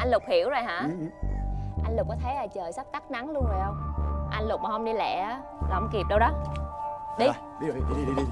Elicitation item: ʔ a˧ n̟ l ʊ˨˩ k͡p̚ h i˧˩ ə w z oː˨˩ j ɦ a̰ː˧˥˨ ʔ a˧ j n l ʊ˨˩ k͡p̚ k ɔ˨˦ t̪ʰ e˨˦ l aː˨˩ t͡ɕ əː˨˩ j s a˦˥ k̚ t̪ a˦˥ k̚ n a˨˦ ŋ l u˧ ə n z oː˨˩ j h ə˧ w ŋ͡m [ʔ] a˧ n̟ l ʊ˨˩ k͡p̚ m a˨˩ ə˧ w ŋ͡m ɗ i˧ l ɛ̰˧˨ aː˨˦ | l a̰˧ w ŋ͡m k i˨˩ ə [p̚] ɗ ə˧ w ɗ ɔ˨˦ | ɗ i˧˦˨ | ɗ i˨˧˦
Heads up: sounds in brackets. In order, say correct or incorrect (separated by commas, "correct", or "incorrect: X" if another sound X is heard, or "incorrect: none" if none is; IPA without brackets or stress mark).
correct, correct